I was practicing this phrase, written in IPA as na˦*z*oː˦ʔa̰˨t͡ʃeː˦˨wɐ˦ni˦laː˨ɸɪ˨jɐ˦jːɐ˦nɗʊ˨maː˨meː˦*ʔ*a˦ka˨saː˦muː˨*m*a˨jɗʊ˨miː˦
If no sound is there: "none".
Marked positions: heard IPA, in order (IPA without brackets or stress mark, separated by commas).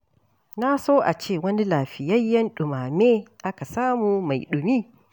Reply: s, ʔ, m